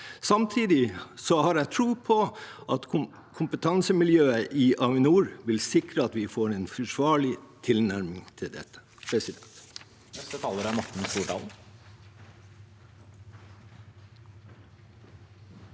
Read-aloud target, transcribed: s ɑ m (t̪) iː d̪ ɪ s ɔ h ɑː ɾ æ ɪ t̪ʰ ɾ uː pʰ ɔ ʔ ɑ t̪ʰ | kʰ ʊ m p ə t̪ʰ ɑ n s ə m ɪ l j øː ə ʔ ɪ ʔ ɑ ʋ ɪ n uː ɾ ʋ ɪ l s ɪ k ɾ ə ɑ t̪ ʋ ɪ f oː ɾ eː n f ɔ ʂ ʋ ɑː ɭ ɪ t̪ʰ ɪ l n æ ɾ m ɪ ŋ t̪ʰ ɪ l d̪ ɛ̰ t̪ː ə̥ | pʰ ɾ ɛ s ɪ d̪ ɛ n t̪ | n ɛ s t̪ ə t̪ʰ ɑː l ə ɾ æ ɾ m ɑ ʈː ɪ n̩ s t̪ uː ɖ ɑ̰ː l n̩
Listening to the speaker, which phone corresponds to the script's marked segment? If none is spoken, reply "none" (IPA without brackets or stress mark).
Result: t̪ʰ